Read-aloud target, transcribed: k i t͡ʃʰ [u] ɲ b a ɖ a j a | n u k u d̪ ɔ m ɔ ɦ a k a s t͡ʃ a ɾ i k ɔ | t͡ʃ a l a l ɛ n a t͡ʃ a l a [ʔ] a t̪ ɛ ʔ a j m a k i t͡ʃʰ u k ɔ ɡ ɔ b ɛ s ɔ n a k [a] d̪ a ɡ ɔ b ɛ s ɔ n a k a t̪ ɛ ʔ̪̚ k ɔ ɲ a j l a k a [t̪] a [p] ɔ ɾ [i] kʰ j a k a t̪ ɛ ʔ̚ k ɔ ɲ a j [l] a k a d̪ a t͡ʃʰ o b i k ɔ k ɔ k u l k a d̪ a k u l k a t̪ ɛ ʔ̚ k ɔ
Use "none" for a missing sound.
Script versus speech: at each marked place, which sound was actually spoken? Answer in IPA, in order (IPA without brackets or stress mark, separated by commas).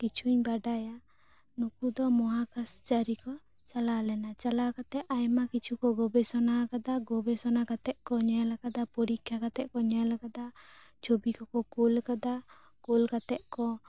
u, k, a, d̪, p, i, l